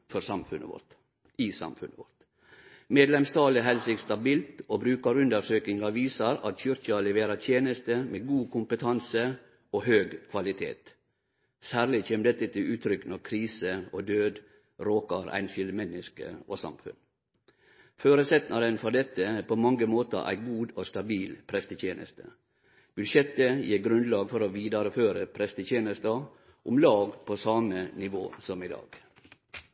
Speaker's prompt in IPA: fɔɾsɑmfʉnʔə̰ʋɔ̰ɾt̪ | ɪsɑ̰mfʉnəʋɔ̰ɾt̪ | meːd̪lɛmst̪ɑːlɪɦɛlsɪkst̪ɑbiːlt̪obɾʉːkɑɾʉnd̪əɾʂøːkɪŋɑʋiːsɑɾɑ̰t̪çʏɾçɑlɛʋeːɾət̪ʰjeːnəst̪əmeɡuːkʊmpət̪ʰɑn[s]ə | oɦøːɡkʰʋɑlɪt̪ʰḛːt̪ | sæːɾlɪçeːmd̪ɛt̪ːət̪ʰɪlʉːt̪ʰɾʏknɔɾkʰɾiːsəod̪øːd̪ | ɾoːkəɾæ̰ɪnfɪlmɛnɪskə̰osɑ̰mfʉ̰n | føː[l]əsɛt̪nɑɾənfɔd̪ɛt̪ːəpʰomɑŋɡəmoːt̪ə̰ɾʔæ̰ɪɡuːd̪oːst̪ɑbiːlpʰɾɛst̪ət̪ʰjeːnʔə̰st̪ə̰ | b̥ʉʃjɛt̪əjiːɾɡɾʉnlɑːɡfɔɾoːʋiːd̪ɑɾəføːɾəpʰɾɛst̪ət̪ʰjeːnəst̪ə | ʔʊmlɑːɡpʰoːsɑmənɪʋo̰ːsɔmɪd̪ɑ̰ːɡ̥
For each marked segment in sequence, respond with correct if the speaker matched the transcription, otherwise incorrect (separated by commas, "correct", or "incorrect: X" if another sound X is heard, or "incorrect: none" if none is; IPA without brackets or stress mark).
correct, incorrect: ɾ